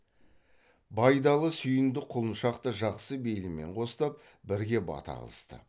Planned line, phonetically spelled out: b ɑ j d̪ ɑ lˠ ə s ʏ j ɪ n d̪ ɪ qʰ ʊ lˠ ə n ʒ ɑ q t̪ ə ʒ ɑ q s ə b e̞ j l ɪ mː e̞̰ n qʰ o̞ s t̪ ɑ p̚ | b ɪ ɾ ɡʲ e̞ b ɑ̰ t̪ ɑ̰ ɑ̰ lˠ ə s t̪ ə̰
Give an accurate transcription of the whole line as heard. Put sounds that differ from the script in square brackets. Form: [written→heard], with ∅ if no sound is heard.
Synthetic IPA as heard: b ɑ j d̪ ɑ lˠ ə s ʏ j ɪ n d̪ ɪ qʰ ʊ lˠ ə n [ʒ→ʃ] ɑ q t̪ ə ʒ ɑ q s ə b e̞ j l ɪ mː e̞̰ [n→ɴ] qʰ o̞ s t̪ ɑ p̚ | b ɪ ɾ ɡʲ e̞ b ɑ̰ t̪ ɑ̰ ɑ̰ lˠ ə s t̪ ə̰